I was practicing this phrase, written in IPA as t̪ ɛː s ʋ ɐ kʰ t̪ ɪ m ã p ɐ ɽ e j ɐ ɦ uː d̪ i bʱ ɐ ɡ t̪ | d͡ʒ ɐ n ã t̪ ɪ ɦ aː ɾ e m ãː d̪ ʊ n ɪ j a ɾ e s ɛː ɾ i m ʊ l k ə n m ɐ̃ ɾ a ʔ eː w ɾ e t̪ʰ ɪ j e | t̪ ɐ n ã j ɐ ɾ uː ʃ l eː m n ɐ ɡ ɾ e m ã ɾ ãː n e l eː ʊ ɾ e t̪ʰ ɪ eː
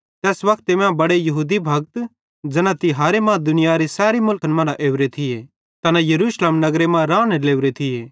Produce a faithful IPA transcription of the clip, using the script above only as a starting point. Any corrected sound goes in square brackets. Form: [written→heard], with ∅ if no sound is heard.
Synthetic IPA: t̪ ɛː s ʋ ɐ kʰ t̪ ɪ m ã [p→b] ɐ ɽ e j ɐ ɦ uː d̪ i bʱ ɐ ɡ t̪ | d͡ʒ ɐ n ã t̪ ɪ ɦ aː ɾ e m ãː d̪ ʊ n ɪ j a ɾ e s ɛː ɾ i m ʊ l k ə n m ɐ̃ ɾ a ʔ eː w ɾ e t̪ʰ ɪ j e | t̪ ɐ n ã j ɐ ɾ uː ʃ l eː m n ɐ ɡ ɾ e m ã ɾ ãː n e l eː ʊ ɾ e t̪ʰ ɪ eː